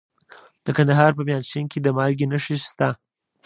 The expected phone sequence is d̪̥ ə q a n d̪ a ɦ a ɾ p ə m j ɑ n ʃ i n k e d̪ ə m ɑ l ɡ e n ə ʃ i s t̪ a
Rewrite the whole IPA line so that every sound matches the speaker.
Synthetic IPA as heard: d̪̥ ə k a n d̪ a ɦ ɑ ɾ p ə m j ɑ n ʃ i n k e d̪ ə m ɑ l ɡ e n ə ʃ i s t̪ a